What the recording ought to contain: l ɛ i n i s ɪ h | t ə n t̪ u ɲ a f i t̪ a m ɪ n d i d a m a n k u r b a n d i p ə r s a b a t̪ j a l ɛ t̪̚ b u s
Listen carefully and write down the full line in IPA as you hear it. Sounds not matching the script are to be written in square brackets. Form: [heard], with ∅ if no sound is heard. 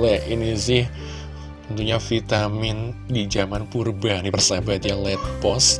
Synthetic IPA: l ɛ i n i s ɪ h | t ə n t̪ u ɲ a f i t̪ a m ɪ n d i [d͡ʒ] a m a n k u r b a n d i p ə r s a b a t̪ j a l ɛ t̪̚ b [ɔ] s

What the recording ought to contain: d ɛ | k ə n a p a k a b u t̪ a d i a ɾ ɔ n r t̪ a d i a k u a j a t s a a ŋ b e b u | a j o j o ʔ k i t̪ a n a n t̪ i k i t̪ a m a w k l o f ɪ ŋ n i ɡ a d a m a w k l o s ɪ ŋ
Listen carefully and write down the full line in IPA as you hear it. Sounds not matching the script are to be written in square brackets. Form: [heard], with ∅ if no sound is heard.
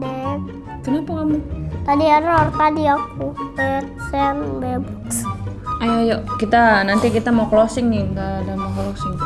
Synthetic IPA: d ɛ | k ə n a p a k a [m] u t̪ a d i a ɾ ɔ [∅] r t̪ a d i a k u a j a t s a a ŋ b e b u | a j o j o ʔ k i t̪ a n a n t̪ i k i t̪ a m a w k l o [s] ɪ ŋ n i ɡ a d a m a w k l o s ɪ ŋ

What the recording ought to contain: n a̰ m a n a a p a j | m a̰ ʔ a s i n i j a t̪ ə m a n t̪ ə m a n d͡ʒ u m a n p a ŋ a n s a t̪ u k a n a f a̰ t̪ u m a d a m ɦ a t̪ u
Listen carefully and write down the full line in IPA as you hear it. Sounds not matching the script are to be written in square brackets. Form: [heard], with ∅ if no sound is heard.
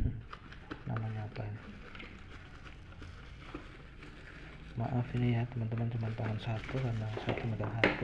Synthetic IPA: n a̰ m a [ɲ] a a p a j | m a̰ ʔ a [f] i n i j a t̪ ə m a n t̪ ə m a n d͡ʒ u m a n p a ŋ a n s a t̪ u k a n a [s] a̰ t̪ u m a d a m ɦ a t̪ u

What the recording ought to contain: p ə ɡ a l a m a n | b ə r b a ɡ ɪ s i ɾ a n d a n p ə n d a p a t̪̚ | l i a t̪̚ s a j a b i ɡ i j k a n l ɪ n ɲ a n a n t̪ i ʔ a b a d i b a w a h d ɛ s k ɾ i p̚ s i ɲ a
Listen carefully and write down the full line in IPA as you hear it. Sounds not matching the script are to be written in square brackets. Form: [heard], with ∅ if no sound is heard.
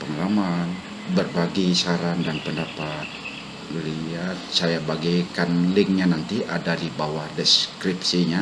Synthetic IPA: p ə [ŋ] a l a m a n | b ə r b a ɡ [i] s [a] ɾ a n d a n p ə n d a p a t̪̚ | l i a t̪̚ s a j a b [a] ɡ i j k a n l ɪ [ŋ] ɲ a n a n t̪ i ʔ a [d] a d i b a w a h d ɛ s k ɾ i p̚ s i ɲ a

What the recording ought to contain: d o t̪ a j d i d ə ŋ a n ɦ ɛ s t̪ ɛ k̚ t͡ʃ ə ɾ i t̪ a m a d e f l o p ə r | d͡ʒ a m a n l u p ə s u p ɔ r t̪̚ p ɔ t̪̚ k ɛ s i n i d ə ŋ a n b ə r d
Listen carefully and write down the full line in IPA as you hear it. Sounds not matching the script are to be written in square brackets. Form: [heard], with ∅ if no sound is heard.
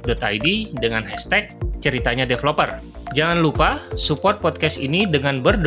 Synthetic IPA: d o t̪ a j d i d ə ŋ a n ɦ ɛ s t̪ ɛ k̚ t͡ʃ ə ɾ i t̪ a [ɲ] a d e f l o p ə r | d͡ʒ a [ŋ] a n l u p [a] s u p ɔ r t̪̚ p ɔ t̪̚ k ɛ s i n i d ə ŋ a n b ə r d

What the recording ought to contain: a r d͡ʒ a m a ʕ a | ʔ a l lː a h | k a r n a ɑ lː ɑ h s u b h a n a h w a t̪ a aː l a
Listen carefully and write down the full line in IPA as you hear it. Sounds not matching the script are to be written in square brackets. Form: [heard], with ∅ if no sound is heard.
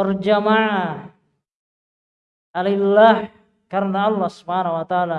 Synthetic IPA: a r d͡ʒ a m a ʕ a | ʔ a l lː a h | k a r n a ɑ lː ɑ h s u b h a n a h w a t̪ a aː l a

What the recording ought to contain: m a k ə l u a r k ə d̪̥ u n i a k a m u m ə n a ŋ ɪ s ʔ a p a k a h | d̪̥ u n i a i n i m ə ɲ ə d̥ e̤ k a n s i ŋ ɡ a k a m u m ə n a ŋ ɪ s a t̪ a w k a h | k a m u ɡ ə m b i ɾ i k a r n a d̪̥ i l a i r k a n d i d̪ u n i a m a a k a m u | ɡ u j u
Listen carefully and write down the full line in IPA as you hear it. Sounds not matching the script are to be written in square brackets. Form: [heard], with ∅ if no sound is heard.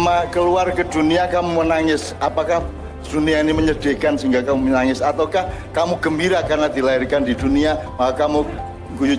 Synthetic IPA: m a k ə l u a r k ə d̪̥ u n i a k a m u m ə n a ŋ ɪ s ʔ a p a k a h | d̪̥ u n i a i n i m ə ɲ ə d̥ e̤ k a n s i ŋ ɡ a k a m u m ə n a ŋ ɪ s a t̪ a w k a h | k a m u ɡ ə m b i ɾ [a] k a r n a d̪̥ i l a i r k a n d i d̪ u n i a m a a k a m u | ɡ u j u

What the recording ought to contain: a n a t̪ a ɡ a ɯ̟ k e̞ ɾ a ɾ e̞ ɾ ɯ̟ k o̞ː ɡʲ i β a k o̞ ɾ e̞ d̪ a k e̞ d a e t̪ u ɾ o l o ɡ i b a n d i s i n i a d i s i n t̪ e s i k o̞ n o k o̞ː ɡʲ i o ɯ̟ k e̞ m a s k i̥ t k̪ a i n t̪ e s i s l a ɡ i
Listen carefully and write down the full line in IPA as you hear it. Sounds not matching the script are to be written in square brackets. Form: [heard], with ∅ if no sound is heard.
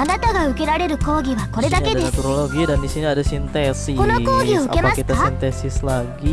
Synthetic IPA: a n a t̪ a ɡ a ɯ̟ k e̞ ɾ a ɾ e̞ ɾ ɯ̟ k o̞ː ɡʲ i β a k o̞ ɾ e̞ d̪ a k e̞ d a e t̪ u ɾ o l o ɡ i [d] a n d i s i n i a d [a] s i n t̪ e s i k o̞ n o k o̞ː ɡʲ i o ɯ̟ k e̞ m a s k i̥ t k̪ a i n t̪ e s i s l a ɡ i

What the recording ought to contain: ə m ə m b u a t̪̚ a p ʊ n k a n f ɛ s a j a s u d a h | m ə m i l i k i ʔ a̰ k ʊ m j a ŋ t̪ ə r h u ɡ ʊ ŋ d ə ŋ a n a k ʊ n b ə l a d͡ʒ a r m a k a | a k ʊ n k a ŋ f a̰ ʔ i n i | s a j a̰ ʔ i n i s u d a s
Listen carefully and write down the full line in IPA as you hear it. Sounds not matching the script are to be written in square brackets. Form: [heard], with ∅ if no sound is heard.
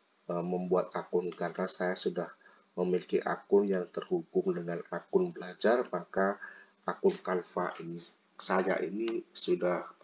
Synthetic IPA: ə m ə m b u a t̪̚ a [k] ʊ n k a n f [a] s a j a s u d a h | m ə m i l i k i ʔ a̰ k ʊ [n] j a ŋ t̪ ə r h u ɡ ʊ ŋ d ə ŋ a n a k ʊ n b ə l a d͡ʒ a r m a k a | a k ʊ n k a [n] f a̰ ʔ i n i | s a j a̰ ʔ i n i s u d a [h]

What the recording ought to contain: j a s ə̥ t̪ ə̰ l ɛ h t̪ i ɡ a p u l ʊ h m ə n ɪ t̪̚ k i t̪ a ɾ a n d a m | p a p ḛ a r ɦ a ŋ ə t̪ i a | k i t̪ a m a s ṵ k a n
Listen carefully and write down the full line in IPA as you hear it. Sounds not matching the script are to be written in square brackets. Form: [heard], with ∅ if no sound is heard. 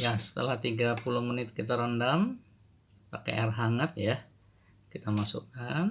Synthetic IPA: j a s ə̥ t̪ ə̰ l [a] h t̪ i ɡ a p u l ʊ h m ə n ɪ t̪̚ k i t̪ a ɾ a n d a m | p a [k] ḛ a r ɦ a ŋ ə t̪ [j] a | k i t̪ a m a s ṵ k a n

